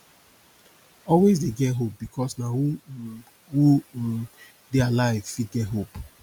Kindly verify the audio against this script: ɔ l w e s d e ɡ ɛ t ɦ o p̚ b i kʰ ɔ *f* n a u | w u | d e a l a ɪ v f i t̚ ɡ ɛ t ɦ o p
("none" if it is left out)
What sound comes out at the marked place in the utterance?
s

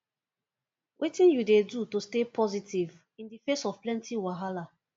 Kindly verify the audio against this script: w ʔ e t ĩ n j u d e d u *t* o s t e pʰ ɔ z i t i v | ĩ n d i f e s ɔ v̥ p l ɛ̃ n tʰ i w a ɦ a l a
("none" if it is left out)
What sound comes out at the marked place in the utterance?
t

